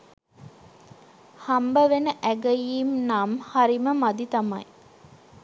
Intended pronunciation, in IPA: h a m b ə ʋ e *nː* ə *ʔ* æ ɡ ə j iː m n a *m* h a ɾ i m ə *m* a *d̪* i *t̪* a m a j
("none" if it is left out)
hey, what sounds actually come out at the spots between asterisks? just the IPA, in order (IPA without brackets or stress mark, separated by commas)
n, ʔ, m, m, d̪, t̪